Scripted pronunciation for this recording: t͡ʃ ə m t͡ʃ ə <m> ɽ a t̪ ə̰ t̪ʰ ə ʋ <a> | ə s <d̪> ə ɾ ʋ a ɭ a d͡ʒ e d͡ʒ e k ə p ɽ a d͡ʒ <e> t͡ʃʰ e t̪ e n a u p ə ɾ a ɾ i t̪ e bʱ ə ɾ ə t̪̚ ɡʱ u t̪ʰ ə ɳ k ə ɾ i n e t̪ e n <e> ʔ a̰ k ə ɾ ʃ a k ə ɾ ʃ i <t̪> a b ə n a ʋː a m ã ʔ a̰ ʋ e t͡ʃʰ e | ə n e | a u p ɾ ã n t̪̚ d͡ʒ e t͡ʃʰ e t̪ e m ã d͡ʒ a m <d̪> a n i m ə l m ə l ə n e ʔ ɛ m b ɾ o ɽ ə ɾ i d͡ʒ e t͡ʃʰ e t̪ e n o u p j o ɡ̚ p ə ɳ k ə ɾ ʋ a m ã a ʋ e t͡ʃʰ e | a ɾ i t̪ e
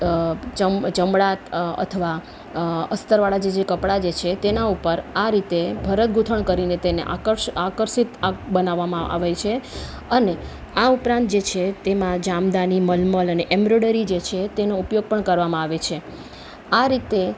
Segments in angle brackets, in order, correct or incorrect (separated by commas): correct, correct, incorrect, correct, correct, correct, correct